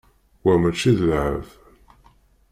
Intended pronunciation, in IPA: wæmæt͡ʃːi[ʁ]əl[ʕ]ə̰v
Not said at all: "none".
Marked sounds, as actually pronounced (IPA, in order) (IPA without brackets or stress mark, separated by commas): ð, ʕ